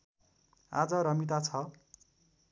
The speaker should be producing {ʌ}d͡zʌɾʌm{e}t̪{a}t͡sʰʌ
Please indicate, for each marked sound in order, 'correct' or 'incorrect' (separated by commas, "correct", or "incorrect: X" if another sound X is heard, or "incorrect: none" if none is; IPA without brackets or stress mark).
incorrect: a, incorrect: i, correct